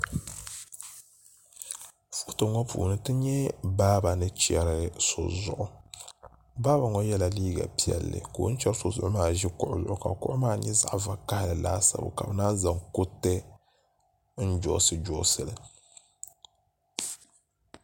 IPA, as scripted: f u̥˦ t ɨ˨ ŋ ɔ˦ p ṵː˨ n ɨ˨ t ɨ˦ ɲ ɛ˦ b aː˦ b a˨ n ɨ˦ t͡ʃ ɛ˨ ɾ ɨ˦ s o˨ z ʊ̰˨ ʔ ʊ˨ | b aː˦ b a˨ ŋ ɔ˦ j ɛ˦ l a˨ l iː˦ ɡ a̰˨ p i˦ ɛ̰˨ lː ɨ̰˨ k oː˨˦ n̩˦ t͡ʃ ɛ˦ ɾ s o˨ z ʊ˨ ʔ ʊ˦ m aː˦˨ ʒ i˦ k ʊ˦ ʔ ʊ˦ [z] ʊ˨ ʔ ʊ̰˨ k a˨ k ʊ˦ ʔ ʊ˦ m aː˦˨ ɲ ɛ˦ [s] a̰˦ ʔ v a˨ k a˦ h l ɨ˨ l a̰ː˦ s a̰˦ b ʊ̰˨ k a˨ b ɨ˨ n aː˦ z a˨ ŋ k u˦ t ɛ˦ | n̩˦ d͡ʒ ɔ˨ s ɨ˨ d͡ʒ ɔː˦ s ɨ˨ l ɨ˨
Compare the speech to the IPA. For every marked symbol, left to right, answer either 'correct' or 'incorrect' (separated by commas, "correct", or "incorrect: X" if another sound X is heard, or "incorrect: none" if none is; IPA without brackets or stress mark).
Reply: correct, incorrect: z